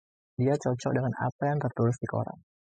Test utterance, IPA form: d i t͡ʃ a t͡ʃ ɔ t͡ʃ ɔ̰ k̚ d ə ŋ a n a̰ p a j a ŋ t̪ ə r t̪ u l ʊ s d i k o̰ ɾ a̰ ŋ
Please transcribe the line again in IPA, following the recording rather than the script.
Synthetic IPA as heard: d i a t͡ʃ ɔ t͡ʃ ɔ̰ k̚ d ə ŋ a n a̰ p a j a ŋ t̪ ə r t̪ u ɾ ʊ s d i k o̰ ɾ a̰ ŋ